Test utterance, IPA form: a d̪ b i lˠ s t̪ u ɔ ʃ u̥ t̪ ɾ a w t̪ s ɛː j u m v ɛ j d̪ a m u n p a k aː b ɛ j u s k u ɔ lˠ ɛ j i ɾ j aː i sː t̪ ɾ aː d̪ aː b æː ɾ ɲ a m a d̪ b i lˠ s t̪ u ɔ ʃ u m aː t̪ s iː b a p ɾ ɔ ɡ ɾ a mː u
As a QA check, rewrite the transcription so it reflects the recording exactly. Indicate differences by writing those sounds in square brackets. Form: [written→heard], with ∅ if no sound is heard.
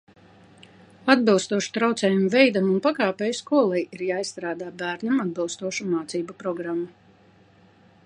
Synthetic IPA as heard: a d̪ b i lˠ s t̪ u ɔ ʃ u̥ t̪ ɾ a w t̪ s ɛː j u m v ɛ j d̪ a m u n p a k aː [b→p] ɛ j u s k u ɔ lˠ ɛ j i ɾ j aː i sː t̪ ɾ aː d̪ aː b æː ɾ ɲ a m a d̪ b i lˠ s t̪ u ɔ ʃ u m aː t̪ s iː b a p ɾ ɔ ɡ ɾ a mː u

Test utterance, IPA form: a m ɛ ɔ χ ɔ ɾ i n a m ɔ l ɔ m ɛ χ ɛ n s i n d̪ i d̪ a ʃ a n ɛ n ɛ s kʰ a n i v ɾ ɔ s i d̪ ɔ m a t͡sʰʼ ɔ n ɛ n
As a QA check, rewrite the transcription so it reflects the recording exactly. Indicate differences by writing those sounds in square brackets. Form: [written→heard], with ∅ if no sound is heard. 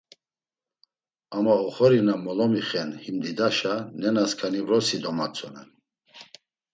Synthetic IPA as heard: a m [ɛ→a] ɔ χ ɔ ɾ i n a m ɔ l ɔ m [ɛ→i] χ ɛ n [s→h] i [n→m] d̪ i d̪ a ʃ a n ɛ n [ɛ→a] s kʰ a n i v ɾ ɔ s i d̪ ɔ m a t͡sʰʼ ɔ n ɛ n

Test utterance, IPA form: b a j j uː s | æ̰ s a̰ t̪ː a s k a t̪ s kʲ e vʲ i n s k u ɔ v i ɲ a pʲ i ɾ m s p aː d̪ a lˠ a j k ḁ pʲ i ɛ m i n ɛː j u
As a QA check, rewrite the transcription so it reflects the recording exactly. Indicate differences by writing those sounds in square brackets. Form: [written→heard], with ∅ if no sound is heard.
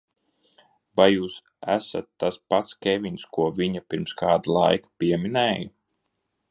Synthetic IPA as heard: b a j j uː s | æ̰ s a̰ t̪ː a s [k→p] a t̪ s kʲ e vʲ i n s k u ɔ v i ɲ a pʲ i ɾ m s [p→k] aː d̪ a lˠ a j k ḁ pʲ i ɛ m i n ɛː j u

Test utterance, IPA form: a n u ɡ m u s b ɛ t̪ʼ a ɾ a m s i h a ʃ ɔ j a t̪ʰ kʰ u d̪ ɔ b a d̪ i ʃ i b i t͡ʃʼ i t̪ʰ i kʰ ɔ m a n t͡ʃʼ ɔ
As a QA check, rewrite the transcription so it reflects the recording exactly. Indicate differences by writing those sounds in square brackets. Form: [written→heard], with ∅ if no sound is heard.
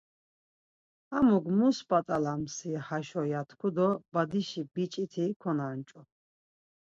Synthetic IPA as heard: a [n→m] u ɡ m u s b [ɛ→a] t̪ʼ a [ɾ→l] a m s i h a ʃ ɔ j a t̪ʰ kʰ u d̪ ɔ b a d̪ i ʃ i b i t͡ʃʼ i t̪ʰ i kʰ ɔ [m→n] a n t͡ʃʼ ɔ

